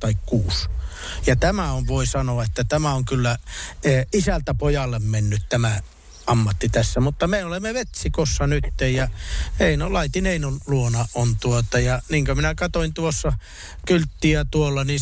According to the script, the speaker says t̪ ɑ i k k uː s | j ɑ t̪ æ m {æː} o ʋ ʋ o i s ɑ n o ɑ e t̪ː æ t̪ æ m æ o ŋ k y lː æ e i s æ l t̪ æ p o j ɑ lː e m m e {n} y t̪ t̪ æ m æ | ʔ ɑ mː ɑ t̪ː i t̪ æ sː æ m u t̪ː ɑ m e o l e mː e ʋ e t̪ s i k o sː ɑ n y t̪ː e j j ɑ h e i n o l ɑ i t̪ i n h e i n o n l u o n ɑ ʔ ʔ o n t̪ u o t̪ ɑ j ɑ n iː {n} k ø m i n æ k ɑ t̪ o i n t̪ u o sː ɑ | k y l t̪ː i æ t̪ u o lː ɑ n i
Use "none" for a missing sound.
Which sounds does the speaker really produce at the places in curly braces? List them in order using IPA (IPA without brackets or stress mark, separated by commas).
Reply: æ, nː, ŋ